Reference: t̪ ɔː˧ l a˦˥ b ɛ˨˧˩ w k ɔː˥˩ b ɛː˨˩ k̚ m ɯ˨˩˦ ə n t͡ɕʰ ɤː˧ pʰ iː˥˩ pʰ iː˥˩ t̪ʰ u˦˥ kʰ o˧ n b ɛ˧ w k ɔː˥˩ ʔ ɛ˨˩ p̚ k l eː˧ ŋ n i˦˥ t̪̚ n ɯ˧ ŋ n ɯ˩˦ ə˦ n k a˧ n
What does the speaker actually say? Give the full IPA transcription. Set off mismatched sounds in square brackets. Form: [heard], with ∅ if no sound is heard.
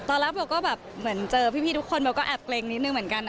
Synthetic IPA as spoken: t̪ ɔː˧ l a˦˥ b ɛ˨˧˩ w k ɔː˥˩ b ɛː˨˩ [p̚] m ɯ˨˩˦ ə n [t͡ɕ] ɤː˧ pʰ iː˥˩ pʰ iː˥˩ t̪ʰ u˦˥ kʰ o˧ n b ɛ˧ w k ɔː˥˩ ʔ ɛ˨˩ p̚ k l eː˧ ŋ n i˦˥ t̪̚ n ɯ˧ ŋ [m] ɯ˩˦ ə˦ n k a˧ n

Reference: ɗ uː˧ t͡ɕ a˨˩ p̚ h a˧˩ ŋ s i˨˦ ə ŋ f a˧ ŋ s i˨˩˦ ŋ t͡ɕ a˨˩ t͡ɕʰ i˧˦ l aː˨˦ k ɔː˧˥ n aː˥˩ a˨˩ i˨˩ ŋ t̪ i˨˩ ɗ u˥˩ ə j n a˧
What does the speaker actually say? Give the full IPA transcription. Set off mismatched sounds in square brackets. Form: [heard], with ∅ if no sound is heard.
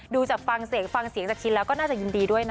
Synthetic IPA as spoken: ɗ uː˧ t͡ɕ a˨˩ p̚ [f] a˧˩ ŋ s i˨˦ ə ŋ f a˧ ŋ s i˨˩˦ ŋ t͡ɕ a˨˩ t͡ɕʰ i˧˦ l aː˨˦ k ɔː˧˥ n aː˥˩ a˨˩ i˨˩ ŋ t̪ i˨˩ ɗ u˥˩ ə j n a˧

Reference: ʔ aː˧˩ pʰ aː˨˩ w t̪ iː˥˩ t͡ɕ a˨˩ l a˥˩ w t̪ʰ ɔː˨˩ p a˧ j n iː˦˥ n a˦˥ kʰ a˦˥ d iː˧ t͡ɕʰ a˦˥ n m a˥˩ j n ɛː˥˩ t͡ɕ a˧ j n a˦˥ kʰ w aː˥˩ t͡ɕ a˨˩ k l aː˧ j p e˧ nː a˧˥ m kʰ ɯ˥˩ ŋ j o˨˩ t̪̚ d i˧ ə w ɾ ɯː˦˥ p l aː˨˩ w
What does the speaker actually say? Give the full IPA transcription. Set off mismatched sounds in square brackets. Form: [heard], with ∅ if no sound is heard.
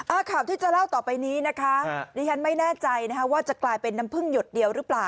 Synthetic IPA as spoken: ʔ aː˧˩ [kʰ] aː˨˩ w t̪ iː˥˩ t͡ɕ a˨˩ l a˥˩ w [t̪] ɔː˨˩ p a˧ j n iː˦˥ n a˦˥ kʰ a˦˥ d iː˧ t͡ɕʰ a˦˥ n m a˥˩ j n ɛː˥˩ t͡ɕ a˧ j n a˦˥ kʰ w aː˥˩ t͡ɕ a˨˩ k l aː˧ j p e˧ nː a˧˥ m [pʰ] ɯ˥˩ ŋ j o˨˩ t̪̚ d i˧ ə w ɾ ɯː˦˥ p l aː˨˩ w

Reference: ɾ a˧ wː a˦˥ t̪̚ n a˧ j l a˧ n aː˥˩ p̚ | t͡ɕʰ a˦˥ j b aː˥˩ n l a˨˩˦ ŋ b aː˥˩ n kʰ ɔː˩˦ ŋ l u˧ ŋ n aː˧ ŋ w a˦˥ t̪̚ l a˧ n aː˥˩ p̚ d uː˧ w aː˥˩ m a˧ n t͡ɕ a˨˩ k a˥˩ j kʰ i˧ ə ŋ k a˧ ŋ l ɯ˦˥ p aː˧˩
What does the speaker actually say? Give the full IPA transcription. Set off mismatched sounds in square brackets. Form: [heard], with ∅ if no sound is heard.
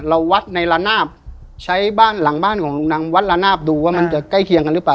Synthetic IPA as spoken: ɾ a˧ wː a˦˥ t̪̚ n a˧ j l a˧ n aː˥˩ p̚ | t͡ɕʰ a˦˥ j b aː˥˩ n l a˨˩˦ ŋ b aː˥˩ n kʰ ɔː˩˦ ŋ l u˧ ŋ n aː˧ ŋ w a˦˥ t̪̚ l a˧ n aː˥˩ p̚ d uː˧ w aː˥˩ m a˧ n t͡ɕ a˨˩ k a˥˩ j kʰ i˧ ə ŋ k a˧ [n] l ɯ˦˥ p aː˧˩

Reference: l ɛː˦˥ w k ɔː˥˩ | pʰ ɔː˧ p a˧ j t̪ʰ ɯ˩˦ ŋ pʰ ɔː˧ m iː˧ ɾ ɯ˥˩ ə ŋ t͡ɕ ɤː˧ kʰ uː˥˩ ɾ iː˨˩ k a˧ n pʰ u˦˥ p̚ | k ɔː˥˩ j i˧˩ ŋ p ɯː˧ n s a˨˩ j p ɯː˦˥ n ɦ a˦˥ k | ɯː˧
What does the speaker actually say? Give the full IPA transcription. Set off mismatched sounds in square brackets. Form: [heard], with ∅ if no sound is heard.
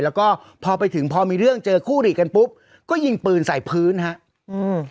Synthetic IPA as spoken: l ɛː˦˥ w k ɔː˥˩ | pʰ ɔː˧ p a˧ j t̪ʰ ɯ˩˦ ŋ pʰ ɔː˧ m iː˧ ɾ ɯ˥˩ ə ŋ t͡ɕ ɤː˧ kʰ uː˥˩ ɾ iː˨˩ k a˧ n [p] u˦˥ p̚ | k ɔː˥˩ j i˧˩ ŋ p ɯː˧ n s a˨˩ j [pʰ] ɯː˦˥ n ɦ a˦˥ [ʔ] | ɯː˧

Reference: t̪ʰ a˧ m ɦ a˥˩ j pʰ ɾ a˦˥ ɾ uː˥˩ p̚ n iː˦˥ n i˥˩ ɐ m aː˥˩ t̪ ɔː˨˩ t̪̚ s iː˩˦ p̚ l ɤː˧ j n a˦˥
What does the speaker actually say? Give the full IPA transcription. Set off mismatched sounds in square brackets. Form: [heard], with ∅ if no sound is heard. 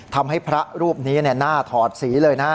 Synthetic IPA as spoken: t̪ʰ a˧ m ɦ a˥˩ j pʰ ɾ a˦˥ ɾ uː˥˩ p̚ n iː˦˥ n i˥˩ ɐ [n] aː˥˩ [t̪ʰ] ɔː˨˩ t̪̚ s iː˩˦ [∅] l ɤː˧ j n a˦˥

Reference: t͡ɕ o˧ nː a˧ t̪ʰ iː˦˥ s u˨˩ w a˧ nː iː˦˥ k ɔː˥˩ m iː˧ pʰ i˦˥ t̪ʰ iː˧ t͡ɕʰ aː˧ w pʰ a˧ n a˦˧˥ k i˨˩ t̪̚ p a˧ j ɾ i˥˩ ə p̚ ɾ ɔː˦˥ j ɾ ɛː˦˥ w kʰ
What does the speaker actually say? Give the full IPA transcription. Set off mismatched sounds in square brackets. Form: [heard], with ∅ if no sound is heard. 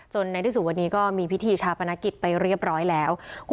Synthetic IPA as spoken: t͡ɕ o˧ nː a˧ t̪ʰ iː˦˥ s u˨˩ w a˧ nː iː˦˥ k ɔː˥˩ m iː˧ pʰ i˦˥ t̪ʰ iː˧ t͡ɕʰ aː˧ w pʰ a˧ n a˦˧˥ k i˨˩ t̪̚ p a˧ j ɾ i˥˩ ə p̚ ɾ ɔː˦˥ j [l] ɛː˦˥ w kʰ

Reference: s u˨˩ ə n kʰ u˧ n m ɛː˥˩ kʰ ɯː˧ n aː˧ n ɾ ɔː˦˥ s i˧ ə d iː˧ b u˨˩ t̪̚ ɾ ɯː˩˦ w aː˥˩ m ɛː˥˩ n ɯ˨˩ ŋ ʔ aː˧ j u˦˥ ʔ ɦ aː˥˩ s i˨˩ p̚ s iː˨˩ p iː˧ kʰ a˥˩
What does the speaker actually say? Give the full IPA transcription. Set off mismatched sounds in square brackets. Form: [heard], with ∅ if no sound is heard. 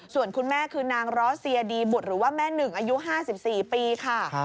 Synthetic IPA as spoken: s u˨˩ ə n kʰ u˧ n m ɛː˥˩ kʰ ɯː˧ n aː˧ [ŋ] ɾ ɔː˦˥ s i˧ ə d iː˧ b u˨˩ t̪̚ ɾ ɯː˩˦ w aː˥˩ m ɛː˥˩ n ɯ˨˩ ŋ ʔ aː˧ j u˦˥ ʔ ɦ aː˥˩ s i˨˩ p̚ s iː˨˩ p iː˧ kʰ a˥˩

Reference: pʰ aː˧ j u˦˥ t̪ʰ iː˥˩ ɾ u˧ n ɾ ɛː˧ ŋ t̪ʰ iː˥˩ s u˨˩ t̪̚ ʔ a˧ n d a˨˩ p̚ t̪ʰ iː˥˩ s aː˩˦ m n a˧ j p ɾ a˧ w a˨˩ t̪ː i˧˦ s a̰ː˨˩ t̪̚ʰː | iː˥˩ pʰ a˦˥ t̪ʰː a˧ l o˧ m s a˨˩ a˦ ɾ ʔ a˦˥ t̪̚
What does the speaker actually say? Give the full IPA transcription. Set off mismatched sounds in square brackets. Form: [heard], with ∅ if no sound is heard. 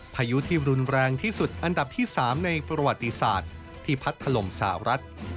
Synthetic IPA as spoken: pʰ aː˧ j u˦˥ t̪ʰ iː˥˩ ɾ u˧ n ɾ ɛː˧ ŋ t̪ʰ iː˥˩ s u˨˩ t̪̚ ʔ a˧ n d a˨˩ p̚ t̪ʰ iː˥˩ s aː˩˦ m n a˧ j p ɾ a˧ w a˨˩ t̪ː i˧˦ s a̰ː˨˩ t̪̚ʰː | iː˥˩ pʰ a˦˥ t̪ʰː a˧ l [o˨˩] m s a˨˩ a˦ ɾ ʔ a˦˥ t̪̚

